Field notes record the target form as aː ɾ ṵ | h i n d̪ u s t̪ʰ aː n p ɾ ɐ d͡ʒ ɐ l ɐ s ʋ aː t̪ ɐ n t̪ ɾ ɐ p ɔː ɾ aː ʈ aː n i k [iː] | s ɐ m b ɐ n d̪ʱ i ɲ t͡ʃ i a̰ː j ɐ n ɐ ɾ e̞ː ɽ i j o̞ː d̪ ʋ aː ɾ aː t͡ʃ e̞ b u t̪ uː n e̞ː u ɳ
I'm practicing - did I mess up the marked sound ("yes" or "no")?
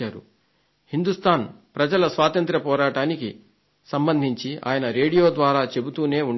yes